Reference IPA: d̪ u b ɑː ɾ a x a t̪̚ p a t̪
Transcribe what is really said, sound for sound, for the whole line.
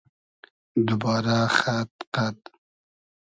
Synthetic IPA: d̪ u b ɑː ɾ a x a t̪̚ q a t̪